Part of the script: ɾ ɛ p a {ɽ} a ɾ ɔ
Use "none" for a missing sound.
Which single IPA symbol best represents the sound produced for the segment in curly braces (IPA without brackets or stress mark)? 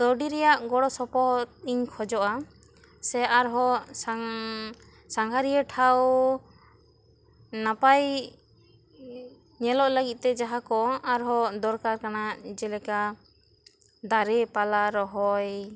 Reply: l